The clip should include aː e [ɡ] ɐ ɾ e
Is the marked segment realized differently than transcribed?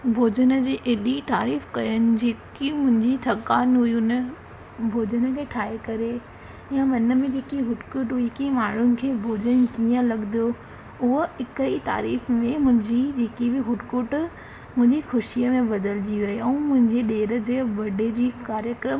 yes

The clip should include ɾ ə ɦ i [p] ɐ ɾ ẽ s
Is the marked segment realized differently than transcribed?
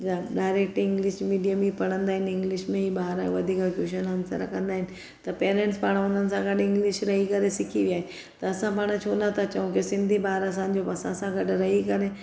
yes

